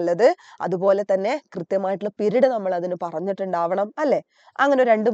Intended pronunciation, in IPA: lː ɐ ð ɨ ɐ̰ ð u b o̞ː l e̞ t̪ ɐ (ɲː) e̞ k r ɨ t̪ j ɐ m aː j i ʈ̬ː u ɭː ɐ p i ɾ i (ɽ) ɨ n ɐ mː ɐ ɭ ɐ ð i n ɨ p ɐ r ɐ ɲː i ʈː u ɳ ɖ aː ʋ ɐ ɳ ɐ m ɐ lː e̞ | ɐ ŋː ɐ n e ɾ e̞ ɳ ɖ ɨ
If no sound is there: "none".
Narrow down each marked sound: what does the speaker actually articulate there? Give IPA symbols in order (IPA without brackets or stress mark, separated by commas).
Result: nː, ɽ